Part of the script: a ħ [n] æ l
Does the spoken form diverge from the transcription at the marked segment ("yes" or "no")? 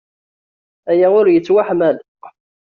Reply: yes